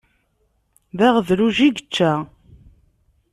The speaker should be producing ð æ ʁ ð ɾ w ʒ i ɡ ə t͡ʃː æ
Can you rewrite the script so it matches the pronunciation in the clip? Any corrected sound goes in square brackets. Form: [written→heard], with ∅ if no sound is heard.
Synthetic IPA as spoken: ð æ ʁ ð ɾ [w→u] ʒ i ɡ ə t͡ʃː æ